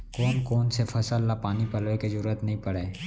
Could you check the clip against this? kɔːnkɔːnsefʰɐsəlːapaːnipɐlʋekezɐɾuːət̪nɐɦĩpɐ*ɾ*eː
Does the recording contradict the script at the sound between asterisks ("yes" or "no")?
yes